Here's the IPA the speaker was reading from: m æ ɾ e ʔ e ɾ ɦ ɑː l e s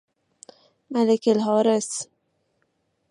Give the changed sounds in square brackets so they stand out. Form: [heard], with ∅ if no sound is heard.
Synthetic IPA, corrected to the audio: m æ [l] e [k] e [l] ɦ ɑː [ɾ] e s